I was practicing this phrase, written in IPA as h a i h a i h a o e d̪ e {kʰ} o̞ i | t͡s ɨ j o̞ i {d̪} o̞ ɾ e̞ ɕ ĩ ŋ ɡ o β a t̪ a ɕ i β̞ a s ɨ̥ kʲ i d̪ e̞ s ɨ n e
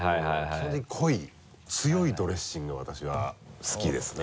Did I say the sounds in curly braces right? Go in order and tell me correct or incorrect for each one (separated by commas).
correct, correct